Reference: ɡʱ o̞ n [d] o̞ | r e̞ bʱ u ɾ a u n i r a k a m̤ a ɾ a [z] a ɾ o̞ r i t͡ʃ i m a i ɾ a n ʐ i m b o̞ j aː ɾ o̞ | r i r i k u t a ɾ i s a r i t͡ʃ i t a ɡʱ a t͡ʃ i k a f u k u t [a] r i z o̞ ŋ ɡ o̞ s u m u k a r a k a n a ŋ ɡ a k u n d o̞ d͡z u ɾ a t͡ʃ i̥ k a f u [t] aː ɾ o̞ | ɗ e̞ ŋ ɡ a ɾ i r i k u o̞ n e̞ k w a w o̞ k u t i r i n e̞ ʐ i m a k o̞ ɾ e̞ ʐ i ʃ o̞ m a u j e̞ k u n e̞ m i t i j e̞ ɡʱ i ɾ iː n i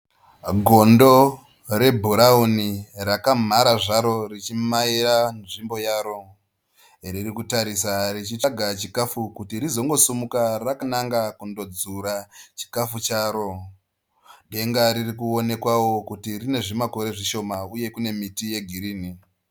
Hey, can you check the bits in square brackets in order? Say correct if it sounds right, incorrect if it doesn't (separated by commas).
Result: correct, incorrect, incorrect, incorrect